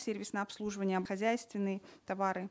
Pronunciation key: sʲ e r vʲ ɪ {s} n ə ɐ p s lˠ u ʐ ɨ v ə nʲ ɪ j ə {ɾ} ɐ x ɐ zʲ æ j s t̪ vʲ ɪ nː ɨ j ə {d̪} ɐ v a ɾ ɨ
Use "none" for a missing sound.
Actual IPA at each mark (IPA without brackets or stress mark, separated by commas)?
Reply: s, none, t̪